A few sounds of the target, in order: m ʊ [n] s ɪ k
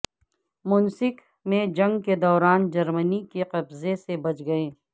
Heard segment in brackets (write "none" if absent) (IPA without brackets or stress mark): n